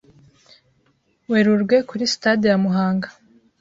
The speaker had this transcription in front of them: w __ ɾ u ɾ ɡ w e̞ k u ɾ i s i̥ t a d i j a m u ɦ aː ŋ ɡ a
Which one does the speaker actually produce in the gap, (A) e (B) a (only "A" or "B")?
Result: A